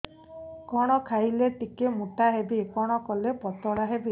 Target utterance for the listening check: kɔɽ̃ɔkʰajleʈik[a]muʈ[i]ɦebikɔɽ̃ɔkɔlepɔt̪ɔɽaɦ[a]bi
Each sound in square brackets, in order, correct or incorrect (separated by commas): incorrect, incorrect, incorrect